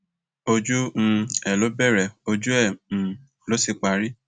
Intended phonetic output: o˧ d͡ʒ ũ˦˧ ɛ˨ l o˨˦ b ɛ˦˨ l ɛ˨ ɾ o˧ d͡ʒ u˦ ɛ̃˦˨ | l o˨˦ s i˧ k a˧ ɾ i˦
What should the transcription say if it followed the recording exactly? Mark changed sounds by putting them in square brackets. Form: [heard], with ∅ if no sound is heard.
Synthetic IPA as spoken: o˧ d͡ʒ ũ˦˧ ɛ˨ l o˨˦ b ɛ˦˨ [ɾ] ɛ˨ [∅] o˧ d͡ʒ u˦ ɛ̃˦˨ | l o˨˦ s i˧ [k͡p] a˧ ɾ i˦